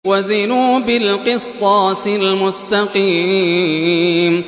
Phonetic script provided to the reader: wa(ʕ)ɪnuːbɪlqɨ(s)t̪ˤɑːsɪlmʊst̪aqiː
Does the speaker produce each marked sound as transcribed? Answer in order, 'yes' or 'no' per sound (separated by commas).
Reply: no, yes